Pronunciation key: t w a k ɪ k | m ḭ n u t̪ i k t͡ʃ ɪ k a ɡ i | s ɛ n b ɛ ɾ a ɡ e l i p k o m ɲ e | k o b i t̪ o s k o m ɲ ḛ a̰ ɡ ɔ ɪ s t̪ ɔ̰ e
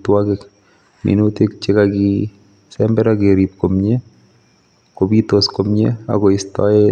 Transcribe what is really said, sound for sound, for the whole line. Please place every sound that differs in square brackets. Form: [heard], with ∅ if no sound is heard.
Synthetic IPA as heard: t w a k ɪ k | m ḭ n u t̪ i k t͡ʃ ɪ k a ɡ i | s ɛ [m] b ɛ ɾ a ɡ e [ɾ] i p k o m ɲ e | k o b i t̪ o s k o m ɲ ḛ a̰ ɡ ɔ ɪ s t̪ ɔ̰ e